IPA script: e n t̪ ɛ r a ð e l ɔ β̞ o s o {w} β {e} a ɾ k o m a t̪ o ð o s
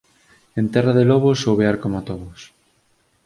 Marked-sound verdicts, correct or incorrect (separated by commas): correct, correct